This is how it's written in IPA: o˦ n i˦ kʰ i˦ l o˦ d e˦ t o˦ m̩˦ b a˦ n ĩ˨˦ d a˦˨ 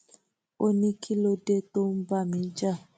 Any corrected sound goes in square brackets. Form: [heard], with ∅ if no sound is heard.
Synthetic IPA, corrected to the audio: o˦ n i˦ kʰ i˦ l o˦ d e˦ t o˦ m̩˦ b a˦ [m] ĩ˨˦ [d͡ʒ] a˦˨